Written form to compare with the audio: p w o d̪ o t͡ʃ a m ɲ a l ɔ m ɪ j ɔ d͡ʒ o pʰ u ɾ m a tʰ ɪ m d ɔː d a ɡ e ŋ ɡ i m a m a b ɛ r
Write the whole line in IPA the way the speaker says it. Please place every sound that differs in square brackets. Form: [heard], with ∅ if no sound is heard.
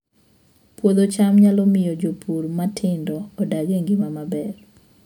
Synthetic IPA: p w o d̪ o t͡ʃ a m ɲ a l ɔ m ɪ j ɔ d͡ʒ o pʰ u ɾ m a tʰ ɪ [n] d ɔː d a ɡ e ŋ ɡ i m a m a b ɛ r

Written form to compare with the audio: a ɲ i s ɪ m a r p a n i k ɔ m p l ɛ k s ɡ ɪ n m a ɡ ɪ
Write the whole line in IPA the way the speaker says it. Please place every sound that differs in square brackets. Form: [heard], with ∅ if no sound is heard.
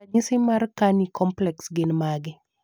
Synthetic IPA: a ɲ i s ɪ m a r [k] a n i k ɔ m p l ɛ k s ɡ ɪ n m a ɡ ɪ

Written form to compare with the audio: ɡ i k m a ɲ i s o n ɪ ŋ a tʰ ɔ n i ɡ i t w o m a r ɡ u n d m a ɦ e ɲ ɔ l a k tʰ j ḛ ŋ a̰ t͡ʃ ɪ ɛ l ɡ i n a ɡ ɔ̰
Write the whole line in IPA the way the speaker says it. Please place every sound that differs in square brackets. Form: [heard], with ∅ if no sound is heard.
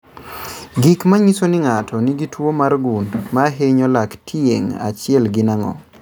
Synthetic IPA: ɡ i k m a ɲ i s o n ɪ ŋ a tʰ ɔ n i ɡ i t w o m a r ɡ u n d m a ɦ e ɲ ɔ l a k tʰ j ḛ ŋ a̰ t͡ʃ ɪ ɛ l ɡ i n a [ŋ] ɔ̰

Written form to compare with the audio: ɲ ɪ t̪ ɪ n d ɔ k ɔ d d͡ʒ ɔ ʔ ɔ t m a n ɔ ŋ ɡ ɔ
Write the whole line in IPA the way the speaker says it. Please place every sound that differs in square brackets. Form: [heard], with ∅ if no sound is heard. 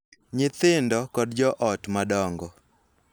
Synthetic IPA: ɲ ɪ t̪ ɪ n d ɔ k ɔ d d͡ʒ ɔ ʔ ɔ t m a [d] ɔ ŋ ɡ ɔ

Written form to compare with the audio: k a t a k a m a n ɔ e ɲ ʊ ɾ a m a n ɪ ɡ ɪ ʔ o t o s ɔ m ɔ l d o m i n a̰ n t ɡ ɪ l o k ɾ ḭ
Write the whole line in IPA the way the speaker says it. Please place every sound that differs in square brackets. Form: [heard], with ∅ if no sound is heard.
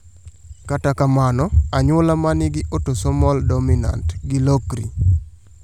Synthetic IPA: k a t a k a m a n ɔ [a] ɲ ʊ [l] a m a n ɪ ɡ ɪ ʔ o t o s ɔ m ɔ l d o m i n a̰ n t ɡ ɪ l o k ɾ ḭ

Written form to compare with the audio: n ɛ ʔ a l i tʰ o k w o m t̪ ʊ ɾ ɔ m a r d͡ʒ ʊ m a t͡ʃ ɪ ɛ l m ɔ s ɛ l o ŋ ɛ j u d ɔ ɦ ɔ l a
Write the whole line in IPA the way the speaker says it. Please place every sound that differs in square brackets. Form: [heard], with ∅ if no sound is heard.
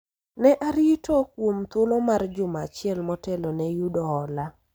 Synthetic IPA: n ɛ ʔ a [ɾ] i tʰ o k w o m t̪ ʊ [l] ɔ m a r d͡ʒ ʊ m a t͡ʃ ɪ ɛ l m ɔ [t] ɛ l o [n] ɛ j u d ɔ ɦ ɔ l a

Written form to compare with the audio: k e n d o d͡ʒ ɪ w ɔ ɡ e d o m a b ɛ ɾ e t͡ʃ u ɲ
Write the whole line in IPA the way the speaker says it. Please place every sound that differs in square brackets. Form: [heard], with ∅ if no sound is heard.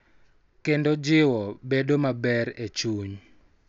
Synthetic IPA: k e n d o d͡ʒ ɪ w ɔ [b] e d o m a b ɛ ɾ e t͡ʃ u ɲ

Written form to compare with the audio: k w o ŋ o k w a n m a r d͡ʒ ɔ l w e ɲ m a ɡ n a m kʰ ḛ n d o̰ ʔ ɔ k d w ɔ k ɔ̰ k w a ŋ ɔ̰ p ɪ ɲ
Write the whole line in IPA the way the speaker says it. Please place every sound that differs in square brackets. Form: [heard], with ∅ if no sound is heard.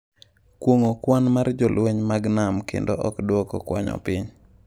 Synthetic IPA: k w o ŋ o k w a n m a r d͡ʒ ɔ l w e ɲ m a ɡ n a m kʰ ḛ n d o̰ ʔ ɔ k d w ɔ k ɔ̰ k w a [ɲ] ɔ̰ p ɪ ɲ

